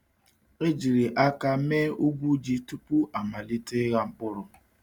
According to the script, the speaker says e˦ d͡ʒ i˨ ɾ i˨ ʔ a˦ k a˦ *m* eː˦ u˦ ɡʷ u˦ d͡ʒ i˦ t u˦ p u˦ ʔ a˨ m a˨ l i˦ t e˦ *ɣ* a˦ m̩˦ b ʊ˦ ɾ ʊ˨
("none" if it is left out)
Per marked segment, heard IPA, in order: m, ɣ

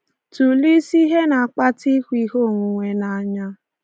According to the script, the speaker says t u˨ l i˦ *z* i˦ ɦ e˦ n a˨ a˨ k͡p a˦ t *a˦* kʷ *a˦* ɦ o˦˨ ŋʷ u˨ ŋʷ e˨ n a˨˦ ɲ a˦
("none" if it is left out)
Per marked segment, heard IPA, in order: s, i˦, i˦

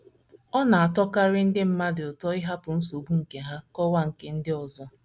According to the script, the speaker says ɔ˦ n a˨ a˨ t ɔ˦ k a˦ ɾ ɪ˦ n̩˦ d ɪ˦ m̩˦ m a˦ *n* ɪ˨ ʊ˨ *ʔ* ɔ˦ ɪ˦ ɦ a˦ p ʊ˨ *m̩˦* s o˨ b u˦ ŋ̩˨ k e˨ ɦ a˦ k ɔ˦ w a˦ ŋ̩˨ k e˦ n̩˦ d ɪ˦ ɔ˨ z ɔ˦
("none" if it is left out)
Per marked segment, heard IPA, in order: d, t, n̩˦

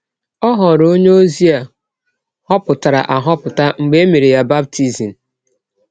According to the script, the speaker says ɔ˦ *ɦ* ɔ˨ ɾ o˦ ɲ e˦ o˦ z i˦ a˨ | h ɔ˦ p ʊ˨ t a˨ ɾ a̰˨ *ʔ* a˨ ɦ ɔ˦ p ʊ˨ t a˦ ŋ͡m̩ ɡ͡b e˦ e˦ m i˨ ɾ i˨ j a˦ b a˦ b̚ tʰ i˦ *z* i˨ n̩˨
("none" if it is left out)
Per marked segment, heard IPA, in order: ɦ, ʔ, z

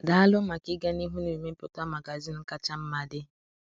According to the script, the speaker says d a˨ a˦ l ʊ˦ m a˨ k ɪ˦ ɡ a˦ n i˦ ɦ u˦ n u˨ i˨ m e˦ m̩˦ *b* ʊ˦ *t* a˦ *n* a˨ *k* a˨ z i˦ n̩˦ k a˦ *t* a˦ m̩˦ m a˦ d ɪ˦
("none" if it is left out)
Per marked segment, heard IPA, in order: p, t, m, ɡ, t͡ʃ

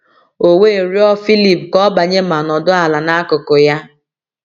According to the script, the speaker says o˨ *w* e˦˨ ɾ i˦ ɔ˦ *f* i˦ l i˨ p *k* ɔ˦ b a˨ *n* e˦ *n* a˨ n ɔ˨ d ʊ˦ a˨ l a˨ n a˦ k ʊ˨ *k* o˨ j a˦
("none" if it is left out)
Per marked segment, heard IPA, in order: w, f, k, ɲ, m, k

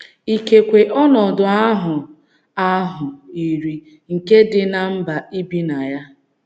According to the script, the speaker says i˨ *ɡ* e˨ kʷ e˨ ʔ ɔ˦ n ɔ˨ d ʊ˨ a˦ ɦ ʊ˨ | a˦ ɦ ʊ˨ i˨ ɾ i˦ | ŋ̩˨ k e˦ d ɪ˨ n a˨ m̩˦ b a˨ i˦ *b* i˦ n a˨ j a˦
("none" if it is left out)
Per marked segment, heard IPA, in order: k, b

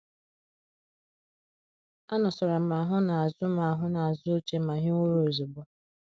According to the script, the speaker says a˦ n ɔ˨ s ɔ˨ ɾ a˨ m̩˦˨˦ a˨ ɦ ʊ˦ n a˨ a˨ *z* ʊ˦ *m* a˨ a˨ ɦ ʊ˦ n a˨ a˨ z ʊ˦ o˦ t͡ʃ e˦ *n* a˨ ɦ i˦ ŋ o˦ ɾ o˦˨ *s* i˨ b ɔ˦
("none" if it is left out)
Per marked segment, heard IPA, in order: z, m, m, z

